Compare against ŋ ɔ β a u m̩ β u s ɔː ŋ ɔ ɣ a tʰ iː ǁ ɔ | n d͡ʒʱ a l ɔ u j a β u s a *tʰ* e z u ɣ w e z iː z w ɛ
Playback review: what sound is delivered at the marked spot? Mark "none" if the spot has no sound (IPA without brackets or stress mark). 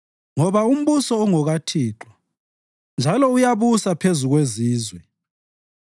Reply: pʰ